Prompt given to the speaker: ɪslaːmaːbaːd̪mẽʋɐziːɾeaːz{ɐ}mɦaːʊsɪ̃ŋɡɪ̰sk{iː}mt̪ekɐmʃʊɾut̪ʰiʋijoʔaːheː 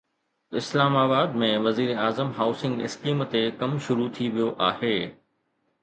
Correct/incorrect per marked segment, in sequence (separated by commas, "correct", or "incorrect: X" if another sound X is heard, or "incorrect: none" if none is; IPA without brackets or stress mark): incorrect: ə, correct